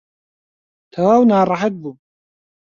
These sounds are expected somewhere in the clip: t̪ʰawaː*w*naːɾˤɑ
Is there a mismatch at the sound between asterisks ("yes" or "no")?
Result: no